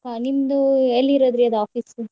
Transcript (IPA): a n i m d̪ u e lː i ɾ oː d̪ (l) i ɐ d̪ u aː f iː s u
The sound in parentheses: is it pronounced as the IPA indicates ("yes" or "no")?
no